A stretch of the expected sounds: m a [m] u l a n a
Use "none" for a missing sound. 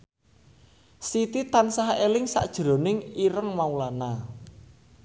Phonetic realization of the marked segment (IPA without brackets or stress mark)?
none